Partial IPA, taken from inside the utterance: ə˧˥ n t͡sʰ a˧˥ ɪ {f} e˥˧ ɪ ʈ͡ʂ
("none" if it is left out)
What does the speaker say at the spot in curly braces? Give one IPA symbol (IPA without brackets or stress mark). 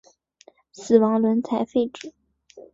f